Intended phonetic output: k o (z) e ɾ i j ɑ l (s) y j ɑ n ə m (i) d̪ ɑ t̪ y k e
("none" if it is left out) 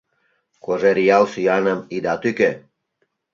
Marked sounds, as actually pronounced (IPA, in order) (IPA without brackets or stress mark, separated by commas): ʒ, s, i